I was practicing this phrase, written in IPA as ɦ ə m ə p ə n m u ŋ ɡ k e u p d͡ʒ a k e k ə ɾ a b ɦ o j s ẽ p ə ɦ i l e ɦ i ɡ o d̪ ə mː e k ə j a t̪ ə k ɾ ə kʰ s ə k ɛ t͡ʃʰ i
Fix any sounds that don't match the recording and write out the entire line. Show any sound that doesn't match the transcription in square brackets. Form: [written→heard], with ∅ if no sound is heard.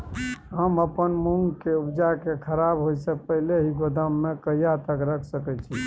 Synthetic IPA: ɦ ə m ə p ə n m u ŋ ɡ k e u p d͡ʒ a k e [k→kʰ] ə ɾ a b ɦ o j s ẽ p ə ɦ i l e ɦ i ɡ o d̪ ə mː e k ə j a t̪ ə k ɾ ə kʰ s ə k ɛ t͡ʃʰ i

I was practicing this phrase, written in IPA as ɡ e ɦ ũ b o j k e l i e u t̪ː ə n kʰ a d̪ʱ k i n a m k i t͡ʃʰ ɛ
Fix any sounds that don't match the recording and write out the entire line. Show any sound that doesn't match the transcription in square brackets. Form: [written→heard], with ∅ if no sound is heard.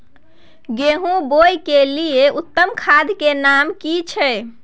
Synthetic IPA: ɡ e ɦ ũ b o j k e l i e u t̪ː ə [n→m] kʰ a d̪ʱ k [i→e] n a m k i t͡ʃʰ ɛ

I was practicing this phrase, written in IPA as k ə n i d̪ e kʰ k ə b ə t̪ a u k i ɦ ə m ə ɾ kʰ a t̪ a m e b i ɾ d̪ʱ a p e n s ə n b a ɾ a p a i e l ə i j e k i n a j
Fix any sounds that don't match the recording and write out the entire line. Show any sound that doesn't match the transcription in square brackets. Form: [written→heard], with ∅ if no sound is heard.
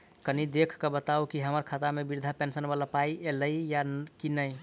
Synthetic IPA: k ə n i d̪ e kʰ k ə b ə t̪ a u k i ɦ ə m ə ɾ kʰ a t̪ a m e b i ɾ d̪ʱ a p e n s ə n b a [ɾ→l] a p a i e l ə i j [e→a] k i n [a→ə] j

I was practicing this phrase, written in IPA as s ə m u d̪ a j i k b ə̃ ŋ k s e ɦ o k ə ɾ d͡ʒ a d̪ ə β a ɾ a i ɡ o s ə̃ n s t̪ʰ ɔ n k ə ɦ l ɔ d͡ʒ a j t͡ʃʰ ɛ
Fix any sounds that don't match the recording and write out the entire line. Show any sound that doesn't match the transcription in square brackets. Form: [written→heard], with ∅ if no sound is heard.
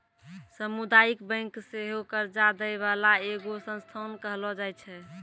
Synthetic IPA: s ə m u d̪ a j i k b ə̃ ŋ k s e ɦ o k ə ɾ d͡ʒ a d̪ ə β a [ɾ→l] a [i→e] ɡ o s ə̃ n s t̪ʰ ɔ n k ə ɦ l ɔ d͡ʒ a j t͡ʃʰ ɛ

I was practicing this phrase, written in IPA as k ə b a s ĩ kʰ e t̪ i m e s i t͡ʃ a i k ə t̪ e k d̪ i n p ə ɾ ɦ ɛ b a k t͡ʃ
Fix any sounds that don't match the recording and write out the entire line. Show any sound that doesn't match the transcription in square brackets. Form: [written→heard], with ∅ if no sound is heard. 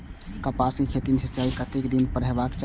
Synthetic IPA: k ə [b→p] a s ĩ kʰ e t̪ i m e s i t͡ʃ a i k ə t̪ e k d̪ i n p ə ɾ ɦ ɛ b a k t͡ʃ

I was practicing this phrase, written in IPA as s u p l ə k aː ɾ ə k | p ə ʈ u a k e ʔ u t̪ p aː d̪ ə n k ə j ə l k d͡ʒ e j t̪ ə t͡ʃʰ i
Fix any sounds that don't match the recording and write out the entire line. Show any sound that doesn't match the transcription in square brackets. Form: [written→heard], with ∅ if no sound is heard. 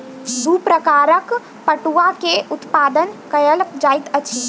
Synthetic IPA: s u p [l→ɾ] ə k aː ɾ ə k | p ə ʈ u a k e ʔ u t̪ p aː d̪ ə n k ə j ə l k d͡ʒ [e→a] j t̪ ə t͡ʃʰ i

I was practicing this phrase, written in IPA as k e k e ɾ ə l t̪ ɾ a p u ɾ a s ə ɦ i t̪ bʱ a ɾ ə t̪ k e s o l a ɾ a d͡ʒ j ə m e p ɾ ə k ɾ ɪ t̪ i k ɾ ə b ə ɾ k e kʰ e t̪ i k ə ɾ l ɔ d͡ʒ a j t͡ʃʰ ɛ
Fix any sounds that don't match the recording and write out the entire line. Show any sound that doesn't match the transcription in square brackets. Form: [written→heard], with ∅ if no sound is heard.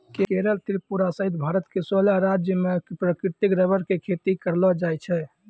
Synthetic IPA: k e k e ɾ ə l t̪ ɾ [a→i] p u ɾ a s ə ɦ i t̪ bʱ a ɾ ə t̪ k e s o l a ɾ a d͡ʒ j ə m e p ɾ ə k ɾ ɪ t̪ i k ɾ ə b ə ɾ k e kʰ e t̪ i k ə ɾ l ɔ d͡ʒ a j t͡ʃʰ ɛ

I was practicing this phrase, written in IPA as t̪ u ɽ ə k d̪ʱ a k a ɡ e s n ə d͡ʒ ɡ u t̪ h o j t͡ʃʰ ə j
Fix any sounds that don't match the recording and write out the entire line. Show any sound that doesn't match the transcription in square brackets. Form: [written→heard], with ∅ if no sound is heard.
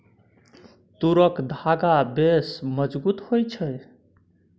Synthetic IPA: t̪ u [ɽ→ɾ] ə k d̪ʱ a [k→ɡ] a [ɡ→b] e s [n→m] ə d͡ʒ [ɡ→b] u t̪ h o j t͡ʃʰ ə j

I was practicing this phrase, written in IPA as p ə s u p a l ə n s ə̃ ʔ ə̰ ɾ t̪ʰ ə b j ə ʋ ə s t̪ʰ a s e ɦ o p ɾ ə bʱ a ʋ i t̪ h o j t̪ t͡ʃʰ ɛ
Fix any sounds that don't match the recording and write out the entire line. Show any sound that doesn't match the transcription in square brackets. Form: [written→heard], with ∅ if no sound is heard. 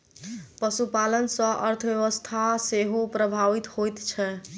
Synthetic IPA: p ə s u p a l ə n s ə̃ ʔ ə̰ ɾ t̪ʰ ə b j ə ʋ ə s t̪ʰ a s e ɦ o p ɾ ə bʱ a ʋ i t̪ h o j t̪ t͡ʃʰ ɛ

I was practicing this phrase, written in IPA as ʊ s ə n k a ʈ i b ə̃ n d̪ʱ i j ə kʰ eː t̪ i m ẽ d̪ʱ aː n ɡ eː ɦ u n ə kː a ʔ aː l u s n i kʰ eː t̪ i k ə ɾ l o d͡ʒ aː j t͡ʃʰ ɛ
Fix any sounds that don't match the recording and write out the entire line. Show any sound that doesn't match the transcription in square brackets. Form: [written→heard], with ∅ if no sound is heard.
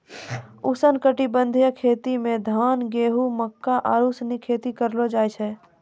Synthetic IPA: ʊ s ə n k [a→ə] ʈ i b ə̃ n d̪ʱ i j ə kʰ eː t̪ i m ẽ d̪ʱ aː n ɡ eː ɦ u [n→m] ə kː a ʔ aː [l→ɾ] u s n i kʰ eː t̪ i k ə ɾ l o d͡ʒ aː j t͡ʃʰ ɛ

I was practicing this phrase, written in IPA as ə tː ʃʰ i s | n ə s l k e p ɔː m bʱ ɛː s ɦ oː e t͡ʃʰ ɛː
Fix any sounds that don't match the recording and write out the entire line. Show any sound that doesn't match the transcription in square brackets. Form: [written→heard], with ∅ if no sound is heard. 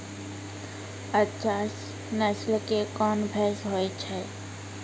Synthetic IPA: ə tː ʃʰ [i→a] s | n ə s l k e [p→k] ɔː [m→n] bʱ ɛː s ɦ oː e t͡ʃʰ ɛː

